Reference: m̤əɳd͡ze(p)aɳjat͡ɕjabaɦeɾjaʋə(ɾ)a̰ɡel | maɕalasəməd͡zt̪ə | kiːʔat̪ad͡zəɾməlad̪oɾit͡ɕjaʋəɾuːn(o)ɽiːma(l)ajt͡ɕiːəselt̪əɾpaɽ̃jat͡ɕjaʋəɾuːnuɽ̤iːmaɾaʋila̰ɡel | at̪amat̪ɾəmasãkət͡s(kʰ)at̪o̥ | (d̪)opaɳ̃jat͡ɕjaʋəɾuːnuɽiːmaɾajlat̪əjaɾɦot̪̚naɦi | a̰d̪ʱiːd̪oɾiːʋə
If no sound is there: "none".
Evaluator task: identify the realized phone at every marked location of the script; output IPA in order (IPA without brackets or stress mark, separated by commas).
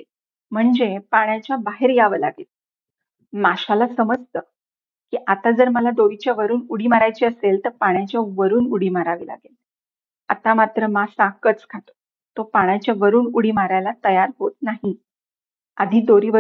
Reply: p, l, u, ɾ, kʰ, t̪